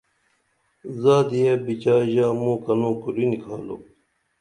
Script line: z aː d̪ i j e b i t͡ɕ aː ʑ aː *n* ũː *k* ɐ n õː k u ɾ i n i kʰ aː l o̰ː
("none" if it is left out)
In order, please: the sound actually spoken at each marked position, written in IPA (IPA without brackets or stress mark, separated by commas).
m, k